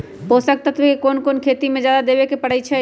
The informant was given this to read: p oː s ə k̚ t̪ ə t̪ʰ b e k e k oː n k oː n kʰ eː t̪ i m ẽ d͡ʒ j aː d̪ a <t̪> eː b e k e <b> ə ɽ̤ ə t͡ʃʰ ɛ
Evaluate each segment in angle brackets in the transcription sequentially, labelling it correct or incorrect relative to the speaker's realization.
incorrect: d̪, incorrect: p

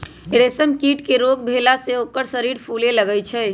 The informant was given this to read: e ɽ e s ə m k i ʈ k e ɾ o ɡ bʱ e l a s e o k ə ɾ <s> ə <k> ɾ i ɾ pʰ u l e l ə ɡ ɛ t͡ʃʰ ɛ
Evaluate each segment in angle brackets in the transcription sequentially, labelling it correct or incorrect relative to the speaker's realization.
correct, incorrect: none

